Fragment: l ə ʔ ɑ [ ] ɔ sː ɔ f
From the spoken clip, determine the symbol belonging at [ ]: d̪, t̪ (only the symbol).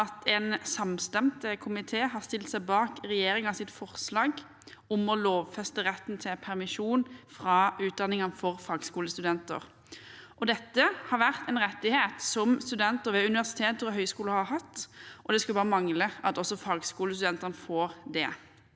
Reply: t̪